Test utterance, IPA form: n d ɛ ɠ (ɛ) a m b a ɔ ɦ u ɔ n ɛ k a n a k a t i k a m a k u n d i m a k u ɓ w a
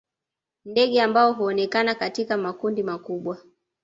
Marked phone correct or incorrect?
correct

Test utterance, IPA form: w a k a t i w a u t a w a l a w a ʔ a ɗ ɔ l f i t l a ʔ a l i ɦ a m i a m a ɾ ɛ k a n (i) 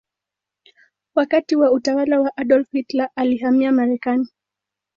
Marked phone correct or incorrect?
correct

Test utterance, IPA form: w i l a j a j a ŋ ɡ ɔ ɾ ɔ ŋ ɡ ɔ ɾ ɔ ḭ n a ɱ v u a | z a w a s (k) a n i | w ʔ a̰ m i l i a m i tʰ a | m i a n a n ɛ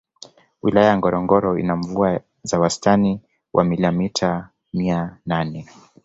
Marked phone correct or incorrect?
incorrect: t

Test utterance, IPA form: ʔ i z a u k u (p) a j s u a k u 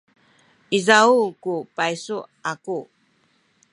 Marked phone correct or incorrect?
correct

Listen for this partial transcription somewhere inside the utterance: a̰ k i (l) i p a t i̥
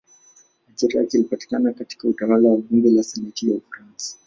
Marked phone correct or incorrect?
correct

